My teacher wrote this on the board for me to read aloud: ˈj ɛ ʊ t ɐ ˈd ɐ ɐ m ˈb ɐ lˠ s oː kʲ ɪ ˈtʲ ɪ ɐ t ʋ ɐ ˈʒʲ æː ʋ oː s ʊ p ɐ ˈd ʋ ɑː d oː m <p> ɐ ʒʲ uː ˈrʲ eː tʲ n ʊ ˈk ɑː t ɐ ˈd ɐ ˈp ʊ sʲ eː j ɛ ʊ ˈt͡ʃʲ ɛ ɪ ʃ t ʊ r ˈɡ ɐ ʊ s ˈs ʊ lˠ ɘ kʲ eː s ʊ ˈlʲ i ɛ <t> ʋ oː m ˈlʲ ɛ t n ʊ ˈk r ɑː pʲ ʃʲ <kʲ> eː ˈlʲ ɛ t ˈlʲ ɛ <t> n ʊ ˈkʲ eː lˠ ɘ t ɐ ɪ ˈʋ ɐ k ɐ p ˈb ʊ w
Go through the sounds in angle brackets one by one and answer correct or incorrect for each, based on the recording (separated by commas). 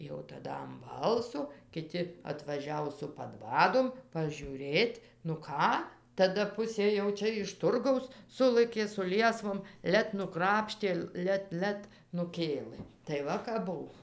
correct, incorrect, incorrect, correct